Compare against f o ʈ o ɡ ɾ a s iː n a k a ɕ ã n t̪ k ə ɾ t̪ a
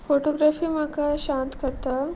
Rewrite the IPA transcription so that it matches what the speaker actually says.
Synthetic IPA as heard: f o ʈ o ɡ ɾ a f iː m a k a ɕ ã n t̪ k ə ɾ t̪ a